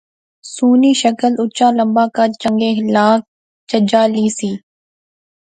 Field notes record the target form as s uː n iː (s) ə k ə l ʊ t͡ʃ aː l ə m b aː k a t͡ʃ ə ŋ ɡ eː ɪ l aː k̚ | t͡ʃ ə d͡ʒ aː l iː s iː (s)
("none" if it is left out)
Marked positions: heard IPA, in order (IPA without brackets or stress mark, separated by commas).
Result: ʃ, none